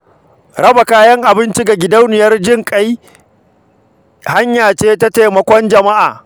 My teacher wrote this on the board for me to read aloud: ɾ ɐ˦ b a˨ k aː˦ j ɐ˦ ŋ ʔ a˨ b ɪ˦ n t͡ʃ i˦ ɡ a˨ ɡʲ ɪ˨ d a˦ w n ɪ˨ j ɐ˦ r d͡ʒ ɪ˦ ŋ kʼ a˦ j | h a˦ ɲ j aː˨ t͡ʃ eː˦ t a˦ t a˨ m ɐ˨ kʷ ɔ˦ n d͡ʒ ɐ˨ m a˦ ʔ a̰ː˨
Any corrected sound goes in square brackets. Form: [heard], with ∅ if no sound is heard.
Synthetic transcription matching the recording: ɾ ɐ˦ b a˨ k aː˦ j ɐ˦ ŋ ʔ a˨ b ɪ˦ n t͡ʃ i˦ ɡ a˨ ɡʲ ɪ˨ d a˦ w n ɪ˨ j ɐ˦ r d͡ʒ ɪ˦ ŋ kʼ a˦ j | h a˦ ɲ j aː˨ t͡ʃ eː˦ t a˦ t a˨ m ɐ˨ kʷ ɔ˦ n d͡ʒ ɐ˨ m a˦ ʔ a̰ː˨

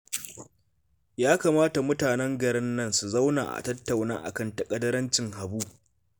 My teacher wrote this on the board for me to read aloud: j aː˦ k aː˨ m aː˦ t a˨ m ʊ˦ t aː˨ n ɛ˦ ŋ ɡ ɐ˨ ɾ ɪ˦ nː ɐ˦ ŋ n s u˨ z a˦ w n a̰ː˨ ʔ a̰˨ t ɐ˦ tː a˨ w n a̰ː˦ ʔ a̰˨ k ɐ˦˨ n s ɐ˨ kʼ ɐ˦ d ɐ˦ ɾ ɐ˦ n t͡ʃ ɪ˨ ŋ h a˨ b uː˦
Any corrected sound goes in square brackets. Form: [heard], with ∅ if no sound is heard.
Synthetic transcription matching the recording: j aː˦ k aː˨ m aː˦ t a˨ m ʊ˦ t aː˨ n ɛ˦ ŋ ɡ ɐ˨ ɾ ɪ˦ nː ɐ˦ [∅] n s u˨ z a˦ w n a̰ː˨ ʔ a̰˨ t ɐ˦ tː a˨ w n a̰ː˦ ʔ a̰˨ k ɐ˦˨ n [t] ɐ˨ kʼ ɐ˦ d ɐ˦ ɾ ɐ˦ n t͡ʃ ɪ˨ ŋ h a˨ b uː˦

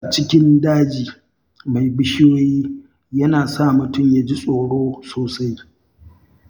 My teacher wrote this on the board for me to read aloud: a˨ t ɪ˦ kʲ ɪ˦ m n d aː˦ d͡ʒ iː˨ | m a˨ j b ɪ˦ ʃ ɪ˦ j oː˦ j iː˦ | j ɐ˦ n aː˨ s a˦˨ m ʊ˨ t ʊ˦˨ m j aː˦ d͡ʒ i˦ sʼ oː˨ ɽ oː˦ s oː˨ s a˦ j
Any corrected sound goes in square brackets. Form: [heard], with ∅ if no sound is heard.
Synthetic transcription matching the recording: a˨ [t͡ʃ] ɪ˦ kʲ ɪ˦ [∅] n d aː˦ d͡ʒ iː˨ | m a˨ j b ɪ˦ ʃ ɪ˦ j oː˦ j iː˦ | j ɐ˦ n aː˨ s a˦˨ m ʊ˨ t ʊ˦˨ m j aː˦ d͡ʒ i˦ sʼ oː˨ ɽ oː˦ s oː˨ s a˦ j

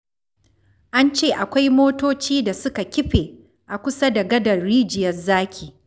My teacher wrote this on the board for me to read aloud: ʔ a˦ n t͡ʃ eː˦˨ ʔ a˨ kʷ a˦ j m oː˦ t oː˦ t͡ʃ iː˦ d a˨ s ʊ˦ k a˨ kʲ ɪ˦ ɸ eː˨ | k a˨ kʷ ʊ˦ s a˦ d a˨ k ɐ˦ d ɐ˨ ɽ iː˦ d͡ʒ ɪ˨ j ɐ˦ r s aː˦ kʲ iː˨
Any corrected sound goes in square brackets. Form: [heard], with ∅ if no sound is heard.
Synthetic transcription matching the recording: ʔ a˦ n t͡ʃ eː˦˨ ʔ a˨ kʷ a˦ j m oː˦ t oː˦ t͡ʃ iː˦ d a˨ s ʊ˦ k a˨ kʲ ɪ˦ ɸ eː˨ | [ʔ] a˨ kʷ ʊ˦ s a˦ d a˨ [ɡ] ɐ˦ d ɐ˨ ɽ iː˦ d͡ʒ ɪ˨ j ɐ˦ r [z] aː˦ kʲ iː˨

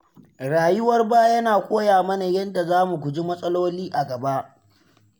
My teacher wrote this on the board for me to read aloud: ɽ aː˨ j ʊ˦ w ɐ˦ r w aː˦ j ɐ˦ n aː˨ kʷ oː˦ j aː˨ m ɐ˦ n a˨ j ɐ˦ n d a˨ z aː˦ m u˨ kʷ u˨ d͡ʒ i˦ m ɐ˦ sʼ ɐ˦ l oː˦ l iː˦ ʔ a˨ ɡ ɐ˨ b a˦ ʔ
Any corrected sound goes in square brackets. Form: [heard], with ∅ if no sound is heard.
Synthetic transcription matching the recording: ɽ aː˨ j ʊ˦ w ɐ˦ r [b] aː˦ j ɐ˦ n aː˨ kʷ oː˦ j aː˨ m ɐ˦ n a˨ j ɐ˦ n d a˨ z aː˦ m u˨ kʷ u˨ d͡ʒ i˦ m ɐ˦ sʼ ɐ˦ l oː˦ l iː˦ ʔ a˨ ɡ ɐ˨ b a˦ ʔ

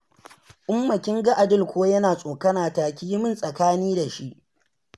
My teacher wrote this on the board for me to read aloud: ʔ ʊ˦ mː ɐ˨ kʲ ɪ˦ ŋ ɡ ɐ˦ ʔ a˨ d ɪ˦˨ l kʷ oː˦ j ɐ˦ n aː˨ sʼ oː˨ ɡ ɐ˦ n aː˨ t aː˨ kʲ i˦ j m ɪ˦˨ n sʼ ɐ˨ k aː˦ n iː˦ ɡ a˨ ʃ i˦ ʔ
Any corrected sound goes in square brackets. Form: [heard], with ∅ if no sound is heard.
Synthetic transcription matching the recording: ʔ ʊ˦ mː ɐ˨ kʲ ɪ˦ ŋ ɡ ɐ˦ ʔ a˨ d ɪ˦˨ l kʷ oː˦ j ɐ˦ n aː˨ sʼ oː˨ [k] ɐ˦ n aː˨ t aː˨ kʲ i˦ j m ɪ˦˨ n sʼ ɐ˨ k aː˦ n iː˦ [d] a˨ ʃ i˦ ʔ

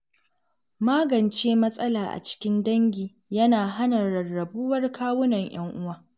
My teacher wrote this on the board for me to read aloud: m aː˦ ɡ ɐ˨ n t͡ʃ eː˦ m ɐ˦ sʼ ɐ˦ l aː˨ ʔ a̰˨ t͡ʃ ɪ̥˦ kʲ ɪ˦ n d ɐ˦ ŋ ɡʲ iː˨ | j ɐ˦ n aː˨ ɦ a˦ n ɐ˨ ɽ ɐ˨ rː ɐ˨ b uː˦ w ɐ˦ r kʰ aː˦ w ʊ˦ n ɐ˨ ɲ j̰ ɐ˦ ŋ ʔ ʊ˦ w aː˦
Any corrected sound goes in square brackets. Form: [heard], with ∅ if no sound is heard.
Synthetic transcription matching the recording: m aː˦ ɡ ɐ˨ n t͡ʃ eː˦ m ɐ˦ sʼ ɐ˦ l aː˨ ʔ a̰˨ t͡ʃ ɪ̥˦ kʲ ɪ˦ n d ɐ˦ ŋ ɡʲ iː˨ | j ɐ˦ n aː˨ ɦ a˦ n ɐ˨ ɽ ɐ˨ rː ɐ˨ b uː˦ w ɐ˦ r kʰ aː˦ w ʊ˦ n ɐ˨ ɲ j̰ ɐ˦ ŋ ʔ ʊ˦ w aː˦

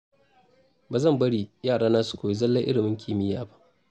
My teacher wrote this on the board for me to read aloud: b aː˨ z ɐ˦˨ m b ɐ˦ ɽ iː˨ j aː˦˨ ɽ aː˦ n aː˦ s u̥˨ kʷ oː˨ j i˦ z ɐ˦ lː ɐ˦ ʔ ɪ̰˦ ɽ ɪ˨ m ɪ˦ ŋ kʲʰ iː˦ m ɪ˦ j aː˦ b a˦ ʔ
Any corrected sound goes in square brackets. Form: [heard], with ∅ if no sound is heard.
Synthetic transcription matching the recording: b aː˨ z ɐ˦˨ m b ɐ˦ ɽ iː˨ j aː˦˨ ɽ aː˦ n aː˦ s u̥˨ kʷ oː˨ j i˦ z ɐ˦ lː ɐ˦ ʔ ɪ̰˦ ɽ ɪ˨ m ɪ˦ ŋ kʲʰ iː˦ m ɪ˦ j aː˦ b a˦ ʔ

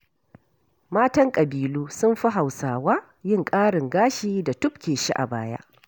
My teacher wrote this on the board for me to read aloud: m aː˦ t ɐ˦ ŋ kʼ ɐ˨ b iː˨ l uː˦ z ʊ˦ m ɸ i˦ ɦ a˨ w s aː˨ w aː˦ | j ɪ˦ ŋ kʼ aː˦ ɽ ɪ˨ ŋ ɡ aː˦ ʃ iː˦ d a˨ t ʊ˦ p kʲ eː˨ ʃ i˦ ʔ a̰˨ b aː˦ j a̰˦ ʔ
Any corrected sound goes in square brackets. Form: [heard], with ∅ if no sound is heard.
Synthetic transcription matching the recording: m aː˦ t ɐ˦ ŋ kʼ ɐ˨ b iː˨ l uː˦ [s] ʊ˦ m ɸ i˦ ɦ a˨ w s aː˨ w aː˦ | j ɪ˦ ŋ kʼ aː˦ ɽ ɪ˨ ŋ ɡ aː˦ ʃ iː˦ d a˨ t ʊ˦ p kʲ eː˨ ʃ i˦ ʔ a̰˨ b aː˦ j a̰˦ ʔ

